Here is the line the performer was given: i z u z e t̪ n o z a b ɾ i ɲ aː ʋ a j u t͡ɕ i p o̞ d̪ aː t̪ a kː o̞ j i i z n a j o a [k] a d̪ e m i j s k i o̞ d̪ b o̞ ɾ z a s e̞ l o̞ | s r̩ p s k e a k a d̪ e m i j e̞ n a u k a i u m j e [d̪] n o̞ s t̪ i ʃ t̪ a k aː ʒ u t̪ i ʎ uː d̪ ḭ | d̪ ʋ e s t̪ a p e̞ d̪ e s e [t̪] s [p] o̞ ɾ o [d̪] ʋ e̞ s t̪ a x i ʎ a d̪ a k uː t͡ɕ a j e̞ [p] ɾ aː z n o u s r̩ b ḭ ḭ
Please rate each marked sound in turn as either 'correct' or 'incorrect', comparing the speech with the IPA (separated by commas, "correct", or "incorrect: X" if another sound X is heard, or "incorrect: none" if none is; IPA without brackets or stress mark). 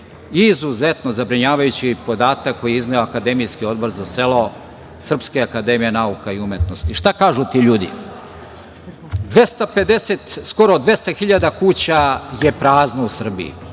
correct, incorrect: t̪, correct, incorrect: k, correct, correct